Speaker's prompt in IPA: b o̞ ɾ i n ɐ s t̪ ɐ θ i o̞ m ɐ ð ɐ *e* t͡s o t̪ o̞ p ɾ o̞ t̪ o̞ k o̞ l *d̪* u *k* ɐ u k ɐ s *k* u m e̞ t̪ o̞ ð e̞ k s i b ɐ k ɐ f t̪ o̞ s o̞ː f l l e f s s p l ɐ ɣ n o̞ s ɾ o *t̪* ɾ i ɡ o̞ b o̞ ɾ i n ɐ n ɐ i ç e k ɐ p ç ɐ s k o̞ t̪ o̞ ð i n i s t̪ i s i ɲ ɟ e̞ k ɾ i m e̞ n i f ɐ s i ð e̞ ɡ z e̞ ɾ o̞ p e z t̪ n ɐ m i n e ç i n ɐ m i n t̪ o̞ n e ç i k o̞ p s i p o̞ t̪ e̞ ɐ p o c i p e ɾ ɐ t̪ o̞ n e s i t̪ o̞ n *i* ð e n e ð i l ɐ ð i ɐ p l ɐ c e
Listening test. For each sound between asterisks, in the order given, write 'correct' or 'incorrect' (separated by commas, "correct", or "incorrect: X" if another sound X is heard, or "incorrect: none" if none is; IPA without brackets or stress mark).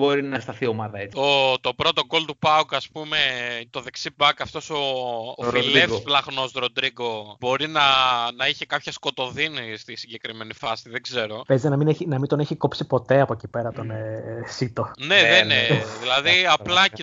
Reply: correct, incorrect: t̪, incorrect: p, incorrect: p, incorrect: d̪, incorrect: e